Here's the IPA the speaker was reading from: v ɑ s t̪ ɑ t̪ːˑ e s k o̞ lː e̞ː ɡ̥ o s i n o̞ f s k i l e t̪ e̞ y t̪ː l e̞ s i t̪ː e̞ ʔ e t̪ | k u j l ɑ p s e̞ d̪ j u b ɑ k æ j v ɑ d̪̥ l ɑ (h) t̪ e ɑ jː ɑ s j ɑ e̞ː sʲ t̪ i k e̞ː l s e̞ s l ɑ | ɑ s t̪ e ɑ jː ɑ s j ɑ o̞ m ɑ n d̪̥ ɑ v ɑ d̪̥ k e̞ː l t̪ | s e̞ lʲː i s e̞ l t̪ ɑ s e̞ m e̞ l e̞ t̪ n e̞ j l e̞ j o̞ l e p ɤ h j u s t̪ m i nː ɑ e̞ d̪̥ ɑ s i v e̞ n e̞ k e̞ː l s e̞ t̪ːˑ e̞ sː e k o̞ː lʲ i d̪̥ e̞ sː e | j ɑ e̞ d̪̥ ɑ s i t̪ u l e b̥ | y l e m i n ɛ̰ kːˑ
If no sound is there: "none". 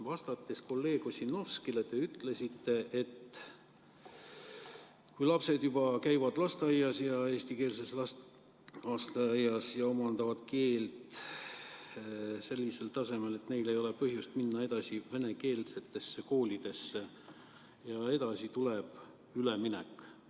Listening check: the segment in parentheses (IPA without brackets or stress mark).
s